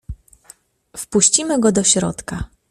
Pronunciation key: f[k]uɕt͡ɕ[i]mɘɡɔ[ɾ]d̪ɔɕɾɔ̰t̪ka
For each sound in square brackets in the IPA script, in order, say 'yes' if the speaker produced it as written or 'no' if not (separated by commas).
no, yes, no